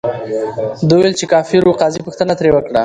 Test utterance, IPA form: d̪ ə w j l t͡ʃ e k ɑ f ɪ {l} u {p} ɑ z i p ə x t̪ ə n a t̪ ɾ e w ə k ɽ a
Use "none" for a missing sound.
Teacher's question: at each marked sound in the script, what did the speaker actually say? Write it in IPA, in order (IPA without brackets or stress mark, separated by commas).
ɾ, q